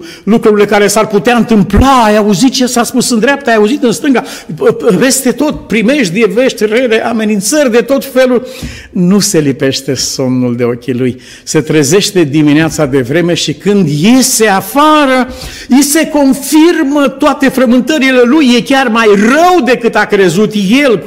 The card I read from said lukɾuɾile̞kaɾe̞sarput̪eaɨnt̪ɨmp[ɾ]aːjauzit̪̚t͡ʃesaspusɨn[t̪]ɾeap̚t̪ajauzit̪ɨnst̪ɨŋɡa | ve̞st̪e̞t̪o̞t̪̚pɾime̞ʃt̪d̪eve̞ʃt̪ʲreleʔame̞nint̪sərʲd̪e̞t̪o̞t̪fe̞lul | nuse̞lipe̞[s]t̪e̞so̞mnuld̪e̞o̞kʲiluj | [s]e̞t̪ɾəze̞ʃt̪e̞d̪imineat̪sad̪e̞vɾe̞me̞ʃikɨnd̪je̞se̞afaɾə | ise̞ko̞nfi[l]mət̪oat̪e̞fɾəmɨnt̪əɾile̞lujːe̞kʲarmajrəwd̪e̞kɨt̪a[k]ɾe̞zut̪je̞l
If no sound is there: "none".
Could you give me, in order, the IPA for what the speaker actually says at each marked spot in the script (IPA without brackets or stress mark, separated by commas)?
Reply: l, d̪, ʃ, s, r, k